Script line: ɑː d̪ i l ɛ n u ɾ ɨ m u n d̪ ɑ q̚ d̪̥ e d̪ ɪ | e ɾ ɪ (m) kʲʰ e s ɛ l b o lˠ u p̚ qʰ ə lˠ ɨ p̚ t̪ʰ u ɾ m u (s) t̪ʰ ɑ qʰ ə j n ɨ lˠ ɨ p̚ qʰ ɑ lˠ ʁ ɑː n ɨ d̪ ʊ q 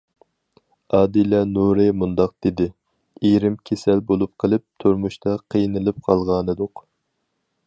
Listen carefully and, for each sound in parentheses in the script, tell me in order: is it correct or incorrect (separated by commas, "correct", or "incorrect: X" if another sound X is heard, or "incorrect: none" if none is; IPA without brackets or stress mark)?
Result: correct, incorrect: ʃ